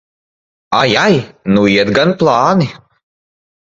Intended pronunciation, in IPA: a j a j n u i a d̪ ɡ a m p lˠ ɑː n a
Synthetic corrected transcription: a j a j n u i ɛ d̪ ɡ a n p lˠ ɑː n i